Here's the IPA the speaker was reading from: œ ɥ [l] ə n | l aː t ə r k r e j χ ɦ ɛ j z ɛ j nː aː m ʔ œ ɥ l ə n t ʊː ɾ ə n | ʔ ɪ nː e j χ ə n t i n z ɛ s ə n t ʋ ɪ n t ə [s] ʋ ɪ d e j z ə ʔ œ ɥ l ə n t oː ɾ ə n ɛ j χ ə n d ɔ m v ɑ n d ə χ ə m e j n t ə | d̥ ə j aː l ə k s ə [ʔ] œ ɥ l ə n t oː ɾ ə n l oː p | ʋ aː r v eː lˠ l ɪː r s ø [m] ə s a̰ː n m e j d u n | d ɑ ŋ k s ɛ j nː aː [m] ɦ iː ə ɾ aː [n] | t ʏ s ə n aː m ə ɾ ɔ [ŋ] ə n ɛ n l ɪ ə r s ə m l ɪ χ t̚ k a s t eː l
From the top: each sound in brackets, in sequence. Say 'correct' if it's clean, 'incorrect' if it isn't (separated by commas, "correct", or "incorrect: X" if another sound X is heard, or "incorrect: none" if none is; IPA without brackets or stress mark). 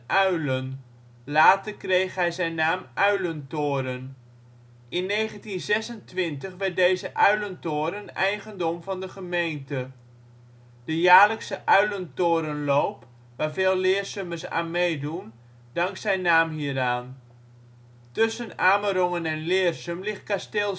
correct, incorrect: χ, correct, correct, correct, correct, correct